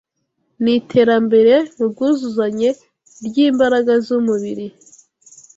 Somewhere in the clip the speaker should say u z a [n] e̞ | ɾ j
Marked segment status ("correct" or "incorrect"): incorrect